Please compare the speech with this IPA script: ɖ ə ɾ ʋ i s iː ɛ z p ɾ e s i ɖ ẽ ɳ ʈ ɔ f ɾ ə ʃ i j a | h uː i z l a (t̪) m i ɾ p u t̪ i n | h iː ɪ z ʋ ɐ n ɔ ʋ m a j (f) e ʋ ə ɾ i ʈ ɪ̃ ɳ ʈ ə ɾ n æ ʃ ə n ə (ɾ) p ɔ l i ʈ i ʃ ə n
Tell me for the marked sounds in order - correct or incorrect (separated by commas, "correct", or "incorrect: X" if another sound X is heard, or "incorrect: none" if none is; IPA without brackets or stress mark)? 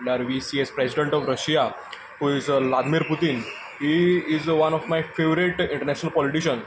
incorrect: d̪, correct, incorrect: l